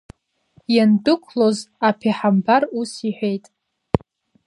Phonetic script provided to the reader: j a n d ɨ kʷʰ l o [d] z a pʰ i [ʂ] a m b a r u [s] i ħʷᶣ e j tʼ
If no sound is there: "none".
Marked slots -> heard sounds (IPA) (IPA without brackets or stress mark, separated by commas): none, ħ, s